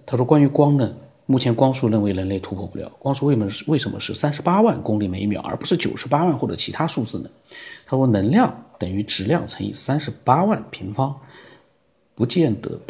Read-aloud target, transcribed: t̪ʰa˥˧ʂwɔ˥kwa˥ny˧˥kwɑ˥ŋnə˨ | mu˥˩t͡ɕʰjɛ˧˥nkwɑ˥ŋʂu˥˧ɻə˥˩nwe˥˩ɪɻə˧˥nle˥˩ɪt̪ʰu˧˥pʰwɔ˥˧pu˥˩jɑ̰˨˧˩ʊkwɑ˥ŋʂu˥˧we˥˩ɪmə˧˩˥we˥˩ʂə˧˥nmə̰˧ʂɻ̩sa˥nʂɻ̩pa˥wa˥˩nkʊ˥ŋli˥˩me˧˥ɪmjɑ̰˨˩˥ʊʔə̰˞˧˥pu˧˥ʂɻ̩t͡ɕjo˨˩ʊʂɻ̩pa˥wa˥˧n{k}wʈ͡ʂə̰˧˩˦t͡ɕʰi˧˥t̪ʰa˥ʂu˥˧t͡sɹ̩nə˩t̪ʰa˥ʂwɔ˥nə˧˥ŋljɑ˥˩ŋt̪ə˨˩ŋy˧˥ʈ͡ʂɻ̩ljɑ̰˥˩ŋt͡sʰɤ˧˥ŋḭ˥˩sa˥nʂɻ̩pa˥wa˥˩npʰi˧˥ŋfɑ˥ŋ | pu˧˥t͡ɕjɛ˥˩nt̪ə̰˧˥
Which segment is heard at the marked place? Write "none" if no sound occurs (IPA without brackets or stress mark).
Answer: x